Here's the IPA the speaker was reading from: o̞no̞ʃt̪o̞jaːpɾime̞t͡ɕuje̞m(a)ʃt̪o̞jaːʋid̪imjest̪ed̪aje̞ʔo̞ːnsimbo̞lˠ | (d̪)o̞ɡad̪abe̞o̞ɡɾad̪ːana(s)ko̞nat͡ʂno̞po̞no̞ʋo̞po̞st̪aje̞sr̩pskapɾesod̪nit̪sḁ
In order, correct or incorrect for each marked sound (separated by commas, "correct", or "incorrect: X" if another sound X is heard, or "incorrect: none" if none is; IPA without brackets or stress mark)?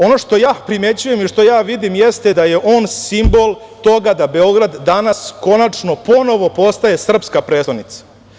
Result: incorrect: i, incorrect: t̪, correct